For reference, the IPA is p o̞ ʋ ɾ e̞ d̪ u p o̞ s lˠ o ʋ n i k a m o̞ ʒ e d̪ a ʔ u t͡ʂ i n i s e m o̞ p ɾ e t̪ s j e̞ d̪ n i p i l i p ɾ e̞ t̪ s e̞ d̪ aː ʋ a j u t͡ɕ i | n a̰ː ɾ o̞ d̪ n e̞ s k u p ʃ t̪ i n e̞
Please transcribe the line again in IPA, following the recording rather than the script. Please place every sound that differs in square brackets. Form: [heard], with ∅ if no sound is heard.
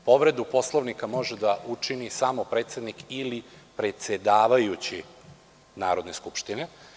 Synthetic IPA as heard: p o̞ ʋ ɾ e̞ d̪ u p o̞ s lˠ o ʋ n i k a m o̞ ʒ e d̪ a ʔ u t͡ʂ i n i s [a] m o̞ p ɾ e t̪ s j e̞ d̪ n i [k] i l i p ɾ e̞ t̪ s e̞ d̪ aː ʋ a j u t͡ɕ i | n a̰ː ɾ o̞ d̪ n e̞ s k u p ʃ t̪ i n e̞